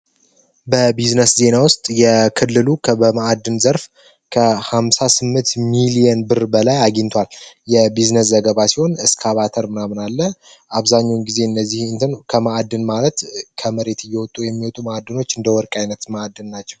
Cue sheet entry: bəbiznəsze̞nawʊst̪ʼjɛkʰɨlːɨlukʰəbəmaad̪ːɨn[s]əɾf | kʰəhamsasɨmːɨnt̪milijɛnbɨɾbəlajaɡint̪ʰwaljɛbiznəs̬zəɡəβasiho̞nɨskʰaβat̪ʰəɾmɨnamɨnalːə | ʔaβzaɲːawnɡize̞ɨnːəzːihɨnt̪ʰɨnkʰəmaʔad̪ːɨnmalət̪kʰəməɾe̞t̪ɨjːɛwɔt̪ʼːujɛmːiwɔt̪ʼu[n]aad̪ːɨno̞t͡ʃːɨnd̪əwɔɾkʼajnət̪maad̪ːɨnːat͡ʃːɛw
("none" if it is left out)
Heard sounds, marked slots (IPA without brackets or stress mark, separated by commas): z, m